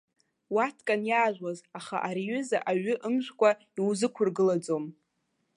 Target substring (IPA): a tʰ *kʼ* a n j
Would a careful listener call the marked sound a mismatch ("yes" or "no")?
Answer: no